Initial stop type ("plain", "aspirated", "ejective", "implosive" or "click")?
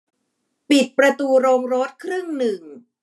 plain